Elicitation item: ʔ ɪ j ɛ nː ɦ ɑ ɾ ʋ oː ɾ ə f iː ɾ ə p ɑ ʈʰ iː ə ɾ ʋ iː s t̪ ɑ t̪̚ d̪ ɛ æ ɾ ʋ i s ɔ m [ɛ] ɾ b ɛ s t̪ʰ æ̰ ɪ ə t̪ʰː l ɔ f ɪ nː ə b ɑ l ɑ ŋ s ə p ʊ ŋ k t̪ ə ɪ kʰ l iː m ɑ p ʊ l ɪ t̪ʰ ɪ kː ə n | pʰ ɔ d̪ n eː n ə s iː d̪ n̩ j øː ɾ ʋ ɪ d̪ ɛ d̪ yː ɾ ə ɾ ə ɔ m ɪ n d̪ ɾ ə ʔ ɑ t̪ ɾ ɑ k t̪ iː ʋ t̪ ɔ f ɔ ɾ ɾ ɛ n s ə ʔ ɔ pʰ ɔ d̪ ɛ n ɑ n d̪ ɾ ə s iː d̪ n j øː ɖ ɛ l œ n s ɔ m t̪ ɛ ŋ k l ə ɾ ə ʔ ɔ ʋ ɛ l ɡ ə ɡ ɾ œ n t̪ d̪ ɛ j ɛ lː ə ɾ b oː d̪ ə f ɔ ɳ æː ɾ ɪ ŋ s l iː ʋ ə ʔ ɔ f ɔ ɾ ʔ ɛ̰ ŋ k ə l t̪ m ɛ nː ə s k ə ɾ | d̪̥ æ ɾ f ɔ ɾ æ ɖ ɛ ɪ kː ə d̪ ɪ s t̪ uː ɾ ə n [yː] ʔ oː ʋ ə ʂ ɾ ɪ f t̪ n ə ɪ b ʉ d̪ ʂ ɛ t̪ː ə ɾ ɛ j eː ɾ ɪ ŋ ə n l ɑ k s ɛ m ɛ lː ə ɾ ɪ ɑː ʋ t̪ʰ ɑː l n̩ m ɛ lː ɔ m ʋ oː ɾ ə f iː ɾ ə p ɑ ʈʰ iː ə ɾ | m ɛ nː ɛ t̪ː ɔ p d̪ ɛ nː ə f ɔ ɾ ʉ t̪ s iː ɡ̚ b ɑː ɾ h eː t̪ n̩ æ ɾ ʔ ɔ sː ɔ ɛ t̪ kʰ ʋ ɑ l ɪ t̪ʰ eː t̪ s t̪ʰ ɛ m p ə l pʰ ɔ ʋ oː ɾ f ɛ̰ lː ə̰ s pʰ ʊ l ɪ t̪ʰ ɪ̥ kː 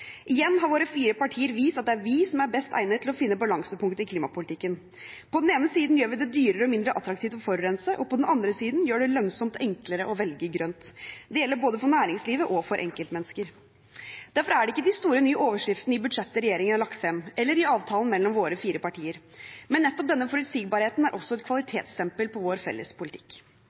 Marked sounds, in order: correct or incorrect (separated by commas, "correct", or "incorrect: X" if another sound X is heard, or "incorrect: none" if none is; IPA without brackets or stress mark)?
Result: incorrect: æ, correct